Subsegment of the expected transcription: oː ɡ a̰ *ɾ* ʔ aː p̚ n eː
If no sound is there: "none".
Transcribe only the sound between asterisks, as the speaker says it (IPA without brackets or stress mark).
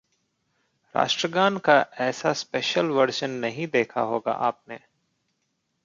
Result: none